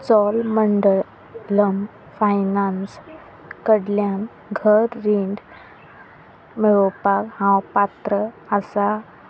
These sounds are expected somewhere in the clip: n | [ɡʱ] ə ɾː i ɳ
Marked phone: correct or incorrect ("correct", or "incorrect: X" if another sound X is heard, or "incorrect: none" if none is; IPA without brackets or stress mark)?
correct